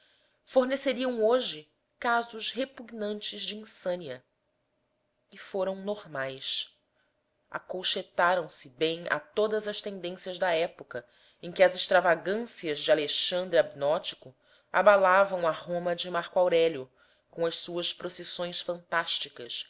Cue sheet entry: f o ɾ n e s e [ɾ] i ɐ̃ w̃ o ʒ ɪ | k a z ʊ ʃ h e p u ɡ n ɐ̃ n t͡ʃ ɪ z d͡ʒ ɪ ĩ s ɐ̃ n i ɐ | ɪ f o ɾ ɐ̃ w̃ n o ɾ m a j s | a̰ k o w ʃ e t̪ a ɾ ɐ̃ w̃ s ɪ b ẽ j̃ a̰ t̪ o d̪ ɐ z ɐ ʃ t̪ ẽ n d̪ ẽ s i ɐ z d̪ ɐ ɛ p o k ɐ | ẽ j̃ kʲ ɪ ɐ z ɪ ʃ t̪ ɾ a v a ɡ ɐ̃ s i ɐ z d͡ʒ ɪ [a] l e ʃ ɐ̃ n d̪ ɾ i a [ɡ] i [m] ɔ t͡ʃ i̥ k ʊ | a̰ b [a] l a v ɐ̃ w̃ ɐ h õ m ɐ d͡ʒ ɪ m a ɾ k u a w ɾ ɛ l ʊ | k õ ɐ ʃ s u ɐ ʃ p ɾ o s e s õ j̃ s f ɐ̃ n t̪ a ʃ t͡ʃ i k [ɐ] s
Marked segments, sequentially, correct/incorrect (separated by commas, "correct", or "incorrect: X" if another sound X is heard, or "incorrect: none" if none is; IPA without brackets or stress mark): correct, correct, incorrect: b, incorrect: n, correct, correct